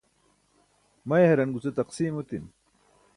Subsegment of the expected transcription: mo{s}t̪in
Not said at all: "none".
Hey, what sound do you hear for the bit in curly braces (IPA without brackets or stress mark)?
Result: none